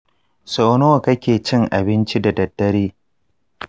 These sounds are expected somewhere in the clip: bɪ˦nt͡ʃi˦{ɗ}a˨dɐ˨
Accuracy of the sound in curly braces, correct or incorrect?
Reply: incorrect: d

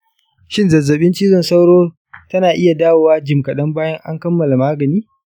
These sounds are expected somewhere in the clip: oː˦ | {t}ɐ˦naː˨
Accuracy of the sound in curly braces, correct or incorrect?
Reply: correct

